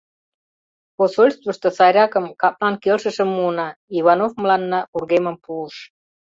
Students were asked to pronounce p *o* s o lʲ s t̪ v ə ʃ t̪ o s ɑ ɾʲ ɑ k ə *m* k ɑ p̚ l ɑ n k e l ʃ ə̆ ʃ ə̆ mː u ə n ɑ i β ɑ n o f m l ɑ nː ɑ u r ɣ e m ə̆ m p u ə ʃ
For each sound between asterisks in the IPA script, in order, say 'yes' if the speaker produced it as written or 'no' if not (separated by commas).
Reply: yes, yes